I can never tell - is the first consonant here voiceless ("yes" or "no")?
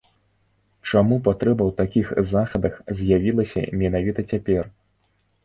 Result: yes